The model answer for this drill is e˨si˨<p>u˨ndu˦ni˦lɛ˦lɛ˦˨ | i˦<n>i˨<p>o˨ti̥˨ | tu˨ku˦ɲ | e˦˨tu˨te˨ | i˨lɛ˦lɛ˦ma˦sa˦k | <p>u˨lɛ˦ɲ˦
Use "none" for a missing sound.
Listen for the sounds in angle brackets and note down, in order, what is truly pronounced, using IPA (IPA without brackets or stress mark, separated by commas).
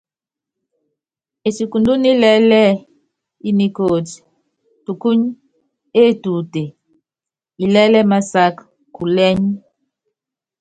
k, n, k, k